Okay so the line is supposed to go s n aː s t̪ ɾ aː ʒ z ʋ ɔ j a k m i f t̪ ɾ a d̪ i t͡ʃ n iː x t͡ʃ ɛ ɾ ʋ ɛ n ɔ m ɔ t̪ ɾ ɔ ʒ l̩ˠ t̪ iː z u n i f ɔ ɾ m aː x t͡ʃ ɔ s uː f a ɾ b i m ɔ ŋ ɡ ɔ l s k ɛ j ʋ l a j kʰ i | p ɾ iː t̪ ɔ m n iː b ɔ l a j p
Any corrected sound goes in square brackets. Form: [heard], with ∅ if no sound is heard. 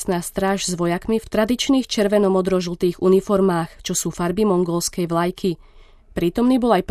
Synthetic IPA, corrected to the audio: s n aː s t̪ ɾ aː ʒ z ʋ ɔ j a k m i f t̪ ɾ a d̪ i t͡ʃ n iː x t͡ʃ ɛ ɾ ʋ ɛ n ɔ m ɔ [d̪] ɾ ɔ ʒ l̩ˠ t̪ iː [ɣ] u n i f ɔ ɾ m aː x t͡ʃ ɔ s uː f a ɾ b i m ɔ ŋ ɡ ɔ l s k ɛ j ʋ l a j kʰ i | p ɾ iː t̪ ɔ m n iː b ɔ l a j p